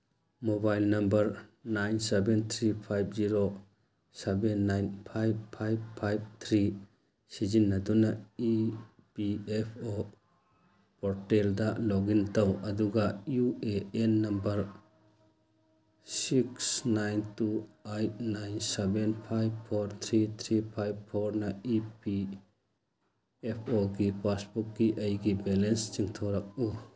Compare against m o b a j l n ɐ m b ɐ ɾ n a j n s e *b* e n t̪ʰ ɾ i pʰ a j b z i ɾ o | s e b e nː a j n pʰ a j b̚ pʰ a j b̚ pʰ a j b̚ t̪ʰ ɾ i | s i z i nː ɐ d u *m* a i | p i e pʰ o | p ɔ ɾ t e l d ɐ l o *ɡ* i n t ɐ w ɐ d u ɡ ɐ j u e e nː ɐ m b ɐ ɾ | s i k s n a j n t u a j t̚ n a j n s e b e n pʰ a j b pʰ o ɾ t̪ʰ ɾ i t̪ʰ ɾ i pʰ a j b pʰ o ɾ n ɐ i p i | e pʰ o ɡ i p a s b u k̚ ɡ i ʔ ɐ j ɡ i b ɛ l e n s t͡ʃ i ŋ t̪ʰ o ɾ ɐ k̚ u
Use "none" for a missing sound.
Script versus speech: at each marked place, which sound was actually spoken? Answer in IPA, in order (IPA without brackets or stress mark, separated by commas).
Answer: b, n, ɡ